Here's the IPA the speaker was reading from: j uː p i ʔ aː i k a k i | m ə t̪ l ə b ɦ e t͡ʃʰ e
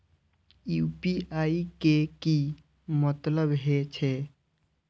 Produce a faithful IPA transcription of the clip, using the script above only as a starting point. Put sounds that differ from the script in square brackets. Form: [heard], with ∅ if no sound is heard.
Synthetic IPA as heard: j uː p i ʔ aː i k [e] k i | m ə t̪ l ə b ɦ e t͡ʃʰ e